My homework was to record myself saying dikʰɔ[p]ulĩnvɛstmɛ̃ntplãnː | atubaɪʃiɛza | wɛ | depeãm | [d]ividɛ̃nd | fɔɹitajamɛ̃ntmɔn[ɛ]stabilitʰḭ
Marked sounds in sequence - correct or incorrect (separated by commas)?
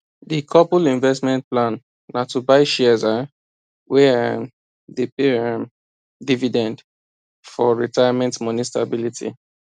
correct, correct, incorrect